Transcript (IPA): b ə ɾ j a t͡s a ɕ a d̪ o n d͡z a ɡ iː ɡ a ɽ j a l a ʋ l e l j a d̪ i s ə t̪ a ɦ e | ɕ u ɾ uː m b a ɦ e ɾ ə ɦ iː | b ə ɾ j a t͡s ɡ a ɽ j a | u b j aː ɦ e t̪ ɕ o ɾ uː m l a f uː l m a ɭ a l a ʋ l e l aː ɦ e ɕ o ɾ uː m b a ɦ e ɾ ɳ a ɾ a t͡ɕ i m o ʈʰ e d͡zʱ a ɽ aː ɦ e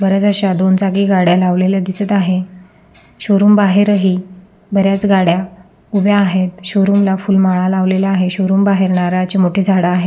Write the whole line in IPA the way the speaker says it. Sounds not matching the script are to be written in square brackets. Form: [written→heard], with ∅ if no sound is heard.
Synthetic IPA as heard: b ə ɾ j a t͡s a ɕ a d̪ o n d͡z a ɡ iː ɡ a ɽ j a l a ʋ l e l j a d̪ i s ə t̪ a ɦ e | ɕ [u→o] ɾ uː m b a ɦ e ɾ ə ɦ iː | b ə ɾ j a t͡s ɡ a ɽ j a | u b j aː ɦ e t̪ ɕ o ɾ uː m l a f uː l m a ɭ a l a ʋ l e l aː ɦ e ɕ o ɾ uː m b a ɦ e ɾ ɳ a ɾ a t͡ɕ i m o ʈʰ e d͡zʱ a ɽ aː ɦ e